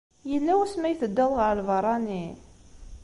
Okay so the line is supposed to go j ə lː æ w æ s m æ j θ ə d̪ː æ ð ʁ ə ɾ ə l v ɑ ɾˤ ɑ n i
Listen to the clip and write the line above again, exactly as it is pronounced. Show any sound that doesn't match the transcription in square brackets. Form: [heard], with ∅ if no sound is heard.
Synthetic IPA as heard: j ə lː æ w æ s m æ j θ ə d̪ː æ ð ʁ ə ɾ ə l v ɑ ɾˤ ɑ n i